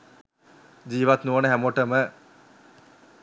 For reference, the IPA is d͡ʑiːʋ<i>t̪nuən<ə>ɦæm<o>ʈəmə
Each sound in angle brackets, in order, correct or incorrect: incorrect: a, correct, correct

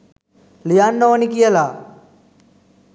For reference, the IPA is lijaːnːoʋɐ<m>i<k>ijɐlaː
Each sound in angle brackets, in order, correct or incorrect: incorrect: n, correct

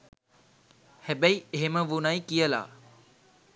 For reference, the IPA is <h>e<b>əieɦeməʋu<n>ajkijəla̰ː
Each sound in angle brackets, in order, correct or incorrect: correct, correct, correct

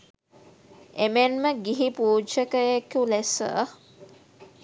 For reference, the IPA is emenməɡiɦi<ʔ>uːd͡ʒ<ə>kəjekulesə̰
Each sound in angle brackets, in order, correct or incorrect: incorrect: p, correct

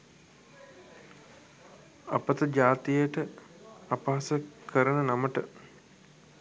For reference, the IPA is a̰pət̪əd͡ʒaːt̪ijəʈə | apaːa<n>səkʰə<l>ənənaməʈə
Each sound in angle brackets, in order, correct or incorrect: incorrect: none, incorrect: ɾ

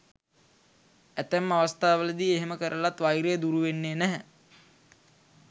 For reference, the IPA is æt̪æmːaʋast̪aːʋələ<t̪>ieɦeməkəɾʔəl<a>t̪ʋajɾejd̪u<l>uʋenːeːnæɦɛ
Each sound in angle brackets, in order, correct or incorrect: incorrect: d̪, correct, incorrect: ɾ

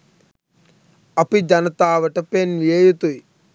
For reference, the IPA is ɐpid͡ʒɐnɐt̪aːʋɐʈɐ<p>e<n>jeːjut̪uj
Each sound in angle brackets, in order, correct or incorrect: correct, correct

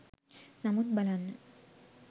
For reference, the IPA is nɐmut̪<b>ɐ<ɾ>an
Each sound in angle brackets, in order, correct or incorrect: correct, incorrect: l

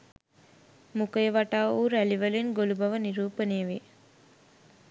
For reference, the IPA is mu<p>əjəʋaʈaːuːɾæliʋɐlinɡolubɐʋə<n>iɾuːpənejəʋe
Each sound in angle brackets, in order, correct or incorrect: incorrect: k, correct

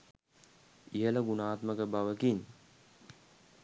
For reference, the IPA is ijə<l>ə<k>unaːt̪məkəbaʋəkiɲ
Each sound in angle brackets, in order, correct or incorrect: correct, incorrect: ɡ

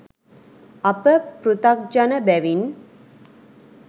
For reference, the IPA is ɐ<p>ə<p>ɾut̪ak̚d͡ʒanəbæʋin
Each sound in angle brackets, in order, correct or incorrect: correct, correct

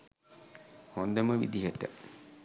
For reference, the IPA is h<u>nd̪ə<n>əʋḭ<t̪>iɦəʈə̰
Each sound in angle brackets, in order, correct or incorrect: incorrect: o, incorrect: m, incorrect: d̪

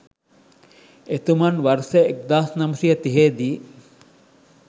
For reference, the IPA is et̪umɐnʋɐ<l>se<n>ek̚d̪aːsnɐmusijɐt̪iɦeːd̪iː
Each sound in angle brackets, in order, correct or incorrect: incorrect: ɾ, incorrect: none

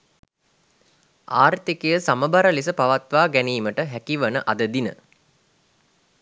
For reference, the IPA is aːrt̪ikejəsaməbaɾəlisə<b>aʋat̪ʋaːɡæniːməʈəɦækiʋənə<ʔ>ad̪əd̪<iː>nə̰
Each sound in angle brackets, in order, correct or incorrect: incorrect: p, correct, incorrect: i

